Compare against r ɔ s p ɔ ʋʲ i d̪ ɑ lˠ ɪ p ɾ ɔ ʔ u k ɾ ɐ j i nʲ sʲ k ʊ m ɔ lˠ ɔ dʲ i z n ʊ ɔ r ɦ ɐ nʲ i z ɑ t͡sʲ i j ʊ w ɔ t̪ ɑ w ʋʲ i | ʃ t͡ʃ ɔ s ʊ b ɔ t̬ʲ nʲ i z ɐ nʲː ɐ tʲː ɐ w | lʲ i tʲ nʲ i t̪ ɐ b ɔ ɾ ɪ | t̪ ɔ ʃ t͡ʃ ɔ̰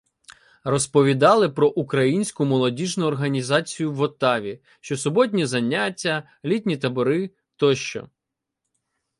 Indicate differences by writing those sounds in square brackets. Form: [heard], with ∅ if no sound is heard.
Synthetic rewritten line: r ɔ s p ɔ ʋʲ i d̪ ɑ lˠ ɪ p ɾ ɔ ʔ u k ɾ ɐ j i nʲ sʲ k ʊ m ɔ lˠ ɔ dʲ i [ʒ] n ʊ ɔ r ɦ ɐ nʲ i z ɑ t͡sʲ i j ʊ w ɔ t̪ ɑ [∅] ʋʲ i | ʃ t͡ʃ ɔ s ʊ b ɔ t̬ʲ nʲ i z ɐ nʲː [a] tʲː ɐ [∅] | lʲ i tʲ nʲ i t̪ ɐ b ɔ ɾ ɪ | t̪ ɔ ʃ t͡ʃ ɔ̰